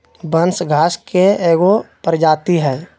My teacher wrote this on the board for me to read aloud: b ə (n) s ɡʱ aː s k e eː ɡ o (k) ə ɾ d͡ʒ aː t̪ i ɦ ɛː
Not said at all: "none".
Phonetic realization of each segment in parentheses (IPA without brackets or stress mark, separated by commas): n, p